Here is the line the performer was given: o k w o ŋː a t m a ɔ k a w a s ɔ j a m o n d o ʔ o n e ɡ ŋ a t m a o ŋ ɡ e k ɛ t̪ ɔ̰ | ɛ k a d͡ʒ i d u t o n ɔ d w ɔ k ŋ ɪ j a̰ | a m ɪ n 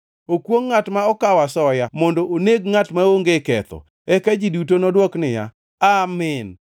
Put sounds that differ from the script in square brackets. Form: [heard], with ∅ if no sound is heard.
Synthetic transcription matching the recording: o k w o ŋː a t m a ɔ k a w a s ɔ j a m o n d o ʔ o n e ɡ ŋ a t m a o ŋ ɡ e k ɛ t̪ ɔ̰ | ɛ k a d͡ʒ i d u t o n ɔ d w ɔ k [n] ɪ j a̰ | a m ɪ n